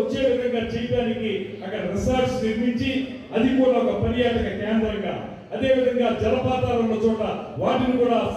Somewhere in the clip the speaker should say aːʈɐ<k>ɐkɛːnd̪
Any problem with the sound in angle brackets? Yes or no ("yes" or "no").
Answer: no